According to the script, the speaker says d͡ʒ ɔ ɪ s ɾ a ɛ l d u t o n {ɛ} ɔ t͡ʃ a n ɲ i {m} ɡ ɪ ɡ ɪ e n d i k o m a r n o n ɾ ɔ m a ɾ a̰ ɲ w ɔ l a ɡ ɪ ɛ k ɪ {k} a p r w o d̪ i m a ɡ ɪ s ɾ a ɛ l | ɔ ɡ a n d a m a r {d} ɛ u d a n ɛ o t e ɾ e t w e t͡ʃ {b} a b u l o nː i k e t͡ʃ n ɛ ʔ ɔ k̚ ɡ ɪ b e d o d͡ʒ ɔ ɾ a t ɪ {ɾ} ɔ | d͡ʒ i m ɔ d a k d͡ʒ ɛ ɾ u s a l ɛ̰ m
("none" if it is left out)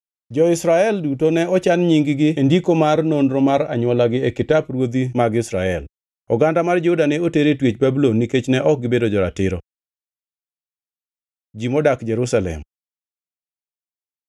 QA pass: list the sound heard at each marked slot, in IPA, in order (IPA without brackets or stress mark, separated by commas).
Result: ɛ, ŋ, t, d͡ʒ, b, ɾ